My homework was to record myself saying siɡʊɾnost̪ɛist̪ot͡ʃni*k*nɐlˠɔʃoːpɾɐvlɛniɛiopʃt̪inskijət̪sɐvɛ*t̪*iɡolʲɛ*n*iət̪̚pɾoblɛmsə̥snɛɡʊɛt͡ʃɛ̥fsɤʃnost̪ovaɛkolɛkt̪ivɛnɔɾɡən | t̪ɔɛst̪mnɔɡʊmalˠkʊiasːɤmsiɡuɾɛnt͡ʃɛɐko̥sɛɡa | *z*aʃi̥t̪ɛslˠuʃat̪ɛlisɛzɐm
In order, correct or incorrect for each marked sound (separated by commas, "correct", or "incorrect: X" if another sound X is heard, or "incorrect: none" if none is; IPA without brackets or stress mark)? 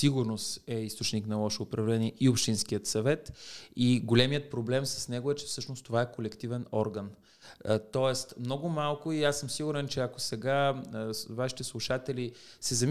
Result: correct, correct, incorrect: m, incorrect: v